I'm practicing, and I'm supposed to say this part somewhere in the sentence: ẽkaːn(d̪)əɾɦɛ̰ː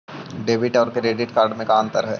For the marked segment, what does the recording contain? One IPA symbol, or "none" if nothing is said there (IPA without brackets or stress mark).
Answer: t̪